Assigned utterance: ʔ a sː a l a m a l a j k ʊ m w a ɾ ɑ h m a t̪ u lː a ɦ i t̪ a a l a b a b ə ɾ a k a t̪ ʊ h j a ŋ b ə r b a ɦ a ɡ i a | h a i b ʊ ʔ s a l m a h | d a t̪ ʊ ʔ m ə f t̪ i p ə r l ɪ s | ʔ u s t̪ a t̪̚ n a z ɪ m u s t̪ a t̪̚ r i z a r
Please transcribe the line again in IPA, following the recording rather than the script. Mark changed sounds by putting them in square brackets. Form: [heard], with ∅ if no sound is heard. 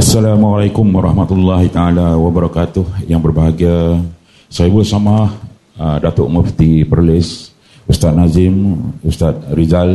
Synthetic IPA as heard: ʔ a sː a l a m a l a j k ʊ m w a ɾ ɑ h m a t̪ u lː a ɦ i t̪ a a l a [w] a b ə ɾ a k a t̪ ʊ h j a ŋ b ə r b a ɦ a ɡ i a | [s] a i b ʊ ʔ s a [∅] m a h | d a t̪ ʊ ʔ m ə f t̪ i p ə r l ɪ s | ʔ u s t̪ a t̪̚ n a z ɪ m u s t̪ a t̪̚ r i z a [l]